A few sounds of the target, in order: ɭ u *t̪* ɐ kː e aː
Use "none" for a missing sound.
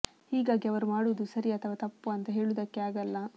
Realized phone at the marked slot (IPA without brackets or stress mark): d̪